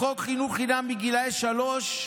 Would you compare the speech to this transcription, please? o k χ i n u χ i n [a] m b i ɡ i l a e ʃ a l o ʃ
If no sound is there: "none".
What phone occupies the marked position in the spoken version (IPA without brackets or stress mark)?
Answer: a